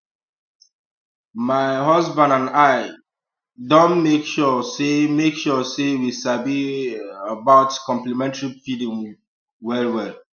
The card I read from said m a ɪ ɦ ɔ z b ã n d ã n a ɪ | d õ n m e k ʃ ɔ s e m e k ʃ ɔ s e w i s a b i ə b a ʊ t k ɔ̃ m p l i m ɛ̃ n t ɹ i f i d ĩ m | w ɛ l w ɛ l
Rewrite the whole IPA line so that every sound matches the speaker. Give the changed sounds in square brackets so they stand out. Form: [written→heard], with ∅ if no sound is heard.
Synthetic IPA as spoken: m a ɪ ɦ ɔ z b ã n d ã n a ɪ | d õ n m e k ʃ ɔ s e m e k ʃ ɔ s e w i s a b i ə b a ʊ t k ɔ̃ m p l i m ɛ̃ n t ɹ i f i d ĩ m | w ɛ l w ɛ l